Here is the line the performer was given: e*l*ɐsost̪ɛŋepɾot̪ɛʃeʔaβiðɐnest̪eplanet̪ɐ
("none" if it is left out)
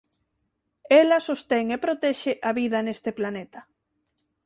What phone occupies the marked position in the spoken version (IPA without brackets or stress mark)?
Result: l